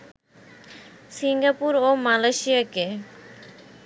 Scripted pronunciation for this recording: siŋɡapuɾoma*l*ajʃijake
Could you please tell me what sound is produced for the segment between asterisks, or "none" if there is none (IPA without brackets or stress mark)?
l